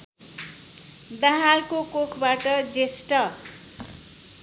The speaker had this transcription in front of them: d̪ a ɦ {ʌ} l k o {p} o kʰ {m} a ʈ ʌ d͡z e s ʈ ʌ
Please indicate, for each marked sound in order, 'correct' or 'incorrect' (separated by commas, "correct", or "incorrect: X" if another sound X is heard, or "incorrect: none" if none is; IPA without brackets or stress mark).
incorrect: a, incorrect: k, incorrect: b